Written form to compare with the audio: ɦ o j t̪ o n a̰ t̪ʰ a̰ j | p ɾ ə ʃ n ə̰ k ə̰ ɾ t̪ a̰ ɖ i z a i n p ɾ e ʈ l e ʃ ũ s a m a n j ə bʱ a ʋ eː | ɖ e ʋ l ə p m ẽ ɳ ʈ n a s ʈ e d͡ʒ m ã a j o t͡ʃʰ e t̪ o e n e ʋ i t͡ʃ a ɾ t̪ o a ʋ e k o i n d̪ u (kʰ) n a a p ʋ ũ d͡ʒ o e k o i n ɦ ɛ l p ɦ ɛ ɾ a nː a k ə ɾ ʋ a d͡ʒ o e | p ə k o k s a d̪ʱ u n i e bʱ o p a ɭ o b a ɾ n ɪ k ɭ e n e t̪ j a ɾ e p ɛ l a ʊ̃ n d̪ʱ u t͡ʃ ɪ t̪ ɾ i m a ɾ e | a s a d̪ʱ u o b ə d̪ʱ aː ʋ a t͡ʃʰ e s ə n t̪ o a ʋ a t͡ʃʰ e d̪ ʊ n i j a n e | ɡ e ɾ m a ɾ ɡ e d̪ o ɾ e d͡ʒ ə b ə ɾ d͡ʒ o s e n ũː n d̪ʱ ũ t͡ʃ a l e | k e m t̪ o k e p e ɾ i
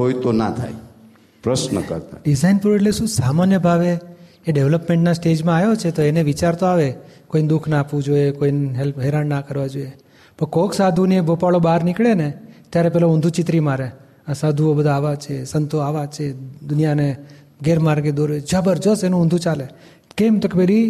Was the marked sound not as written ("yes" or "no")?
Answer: no